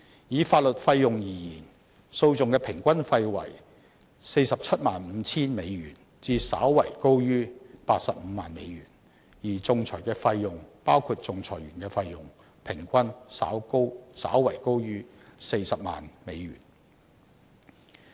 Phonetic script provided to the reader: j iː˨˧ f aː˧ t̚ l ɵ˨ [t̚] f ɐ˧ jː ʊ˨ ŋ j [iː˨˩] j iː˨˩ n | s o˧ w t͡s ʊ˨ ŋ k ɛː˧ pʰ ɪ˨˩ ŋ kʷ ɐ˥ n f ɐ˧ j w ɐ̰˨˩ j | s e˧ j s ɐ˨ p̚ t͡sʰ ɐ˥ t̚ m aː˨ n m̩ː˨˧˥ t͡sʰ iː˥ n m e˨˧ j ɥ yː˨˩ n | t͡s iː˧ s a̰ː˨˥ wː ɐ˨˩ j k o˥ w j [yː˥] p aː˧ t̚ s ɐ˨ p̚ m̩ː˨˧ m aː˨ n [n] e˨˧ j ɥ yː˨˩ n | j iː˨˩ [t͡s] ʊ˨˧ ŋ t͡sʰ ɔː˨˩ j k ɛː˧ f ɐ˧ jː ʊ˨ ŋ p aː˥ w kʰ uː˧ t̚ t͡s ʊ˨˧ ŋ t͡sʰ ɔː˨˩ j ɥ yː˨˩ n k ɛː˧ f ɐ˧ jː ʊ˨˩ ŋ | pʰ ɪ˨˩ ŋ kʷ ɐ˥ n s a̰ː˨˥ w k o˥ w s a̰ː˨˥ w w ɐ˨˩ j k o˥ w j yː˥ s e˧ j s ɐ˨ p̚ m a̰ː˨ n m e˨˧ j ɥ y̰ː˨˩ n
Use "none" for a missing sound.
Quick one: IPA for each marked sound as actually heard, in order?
t̚, iː˨˩, yː˥, m, t͡s

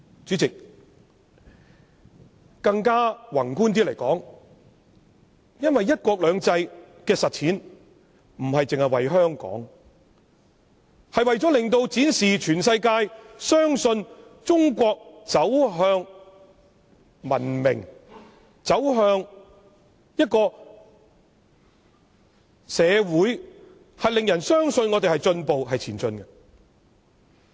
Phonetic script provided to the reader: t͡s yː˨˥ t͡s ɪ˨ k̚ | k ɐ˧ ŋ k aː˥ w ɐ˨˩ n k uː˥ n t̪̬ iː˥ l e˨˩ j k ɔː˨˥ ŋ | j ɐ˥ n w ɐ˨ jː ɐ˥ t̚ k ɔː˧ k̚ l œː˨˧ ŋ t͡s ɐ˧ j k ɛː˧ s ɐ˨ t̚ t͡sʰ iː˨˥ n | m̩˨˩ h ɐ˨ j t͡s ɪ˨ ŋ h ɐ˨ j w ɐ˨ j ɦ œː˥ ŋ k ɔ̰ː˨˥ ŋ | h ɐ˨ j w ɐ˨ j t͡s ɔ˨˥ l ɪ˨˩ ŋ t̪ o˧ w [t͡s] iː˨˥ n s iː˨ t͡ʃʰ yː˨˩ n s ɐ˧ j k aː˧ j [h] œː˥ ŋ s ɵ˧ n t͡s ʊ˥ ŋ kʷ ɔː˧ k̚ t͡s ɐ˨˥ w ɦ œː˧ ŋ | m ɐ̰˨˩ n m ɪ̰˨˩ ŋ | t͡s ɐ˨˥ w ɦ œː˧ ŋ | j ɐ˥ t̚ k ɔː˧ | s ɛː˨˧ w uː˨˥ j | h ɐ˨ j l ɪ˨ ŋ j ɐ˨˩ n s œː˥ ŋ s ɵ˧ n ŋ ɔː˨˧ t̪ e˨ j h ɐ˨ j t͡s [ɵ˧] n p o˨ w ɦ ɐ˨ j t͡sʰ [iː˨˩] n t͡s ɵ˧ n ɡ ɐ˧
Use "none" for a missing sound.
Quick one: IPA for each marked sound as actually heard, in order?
t͡s, s, ɵ˧, iː˨˩

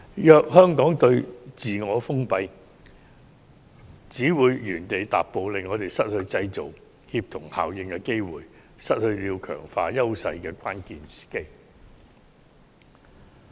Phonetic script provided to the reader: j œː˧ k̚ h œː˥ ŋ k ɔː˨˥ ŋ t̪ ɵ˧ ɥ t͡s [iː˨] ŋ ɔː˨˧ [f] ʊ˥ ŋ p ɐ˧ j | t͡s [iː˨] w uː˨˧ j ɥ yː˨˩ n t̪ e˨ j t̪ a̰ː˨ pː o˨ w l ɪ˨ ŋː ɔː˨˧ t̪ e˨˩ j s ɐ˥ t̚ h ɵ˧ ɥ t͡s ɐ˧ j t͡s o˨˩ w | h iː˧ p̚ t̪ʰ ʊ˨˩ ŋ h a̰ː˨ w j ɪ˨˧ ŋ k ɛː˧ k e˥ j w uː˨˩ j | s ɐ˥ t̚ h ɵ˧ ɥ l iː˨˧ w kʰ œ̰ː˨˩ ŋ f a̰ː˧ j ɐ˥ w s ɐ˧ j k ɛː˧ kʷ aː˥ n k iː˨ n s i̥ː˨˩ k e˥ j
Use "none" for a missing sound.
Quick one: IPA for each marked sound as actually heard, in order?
iː˨, f, iː˨˥

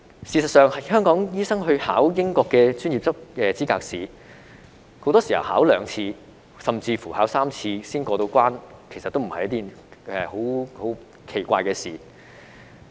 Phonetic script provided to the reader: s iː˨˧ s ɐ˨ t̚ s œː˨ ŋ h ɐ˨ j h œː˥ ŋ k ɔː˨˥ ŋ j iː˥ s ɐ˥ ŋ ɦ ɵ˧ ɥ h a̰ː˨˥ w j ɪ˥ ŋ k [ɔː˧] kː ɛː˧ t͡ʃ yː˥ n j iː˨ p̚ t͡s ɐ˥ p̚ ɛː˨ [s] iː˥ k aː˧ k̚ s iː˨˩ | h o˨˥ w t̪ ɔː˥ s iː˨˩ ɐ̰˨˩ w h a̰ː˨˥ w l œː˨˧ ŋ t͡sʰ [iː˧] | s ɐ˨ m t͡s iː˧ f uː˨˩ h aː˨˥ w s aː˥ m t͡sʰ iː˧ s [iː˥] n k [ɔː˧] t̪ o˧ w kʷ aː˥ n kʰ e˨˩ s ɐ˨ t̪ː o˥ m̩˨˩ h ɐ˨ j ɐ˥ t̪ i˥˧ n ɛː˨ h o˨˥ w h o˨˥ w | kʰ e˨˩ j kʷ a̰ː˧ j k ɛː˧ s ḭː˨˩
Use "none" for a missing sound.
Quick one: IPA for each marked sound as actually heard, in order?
ɔː˧, t͡s, iː˧, iː˥, ɔː˧

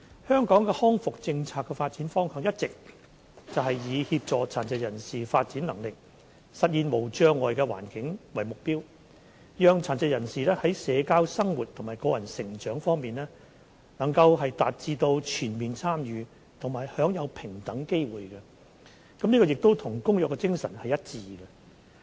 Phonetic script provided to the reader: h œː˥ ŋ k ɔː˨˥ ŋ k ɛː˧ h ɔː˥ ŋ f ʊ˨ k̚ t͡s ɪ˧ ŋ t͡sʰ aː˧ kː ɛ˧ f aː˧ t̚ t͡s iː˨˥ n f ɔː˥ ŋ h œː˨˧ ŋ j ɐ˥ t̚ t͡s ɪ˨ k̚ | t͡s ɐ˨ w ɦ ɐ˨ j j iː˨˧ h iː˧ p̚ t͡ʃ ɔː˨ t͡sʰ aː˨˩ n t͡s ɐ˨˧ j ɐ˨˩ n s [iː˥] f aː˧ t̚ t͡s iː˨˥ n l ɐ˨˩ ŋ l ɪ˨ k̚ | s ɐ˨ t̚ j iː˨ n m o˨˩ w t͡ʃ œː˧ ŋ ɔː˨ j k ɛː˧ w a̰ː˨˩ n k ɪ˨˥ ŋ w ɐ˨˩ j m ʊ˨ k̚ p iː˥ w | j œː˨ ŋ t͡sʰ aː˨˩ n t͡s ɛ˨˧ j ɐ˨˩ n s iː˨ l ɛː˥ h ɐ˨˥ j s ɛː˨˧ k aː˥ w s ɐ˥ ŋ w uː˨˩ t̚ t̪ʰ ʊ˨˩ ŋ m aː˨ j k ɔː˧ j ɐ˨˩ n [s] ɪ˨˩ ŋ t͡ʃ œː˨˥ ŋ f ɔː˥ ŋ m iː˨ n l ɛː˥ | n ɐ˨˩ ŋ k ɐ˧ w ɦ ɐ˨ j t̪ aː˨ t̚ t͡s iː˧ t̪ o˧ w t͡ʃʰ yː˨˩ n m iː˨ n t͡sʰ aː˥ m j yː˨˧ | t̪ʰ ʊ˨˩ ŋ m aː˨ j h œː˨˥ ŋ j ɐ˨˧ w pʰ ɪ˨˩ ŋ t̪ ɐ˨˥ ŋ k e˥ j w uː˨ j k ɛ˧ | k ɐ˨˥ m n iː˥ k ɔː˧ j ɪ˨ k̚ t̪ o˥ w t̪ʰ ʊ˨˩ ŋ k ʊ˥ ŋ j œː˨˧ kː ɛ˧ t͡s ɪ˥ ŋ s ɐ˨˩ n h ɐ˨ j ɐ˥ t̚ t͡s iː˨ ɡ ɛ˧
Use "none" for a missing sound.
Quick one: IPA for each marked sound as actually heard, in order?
iː˨, s

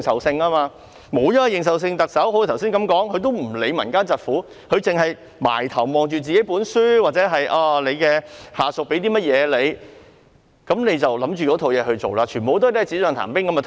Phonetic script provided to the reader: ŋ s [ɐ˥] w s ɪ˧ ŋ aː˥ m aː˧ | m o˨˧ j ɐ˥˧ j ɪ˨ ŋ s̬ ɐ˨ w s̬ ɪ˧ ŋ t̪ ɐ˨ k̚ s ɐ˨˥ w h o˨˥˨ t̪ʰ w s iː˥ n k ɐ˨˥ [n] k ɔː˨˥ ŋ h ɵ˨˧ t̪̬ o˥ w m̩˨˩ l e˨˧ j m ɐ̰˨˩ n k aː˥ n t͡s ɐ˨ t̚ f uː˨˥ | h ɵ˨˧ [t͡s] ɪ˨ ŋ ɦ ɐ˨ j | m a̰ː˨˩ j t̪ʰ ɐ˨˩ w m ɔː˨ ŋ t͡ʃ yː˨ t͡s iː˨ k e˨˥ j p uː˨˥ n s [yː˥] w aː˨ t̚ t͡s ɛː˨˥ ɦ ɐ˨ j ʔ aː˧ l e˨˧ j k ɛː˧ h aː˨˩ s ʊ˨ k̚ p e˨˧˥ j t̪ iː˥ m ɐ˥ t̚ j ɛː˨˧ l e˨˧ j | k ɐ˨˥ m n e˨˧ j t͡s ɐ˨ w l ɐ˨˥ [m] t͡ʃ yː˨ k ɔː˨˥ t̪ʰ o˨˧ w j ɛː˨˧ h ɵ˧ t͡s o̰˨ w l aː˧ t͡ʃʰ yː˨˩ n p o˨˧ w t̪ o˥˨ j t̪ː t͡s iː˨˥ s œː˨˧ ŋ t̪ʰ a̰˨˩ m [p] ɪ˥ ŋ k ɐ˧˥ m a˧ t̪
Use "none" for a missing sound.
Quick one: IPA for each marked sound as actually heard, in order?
ɐ˨, m, t͡s, yː˥, m, p

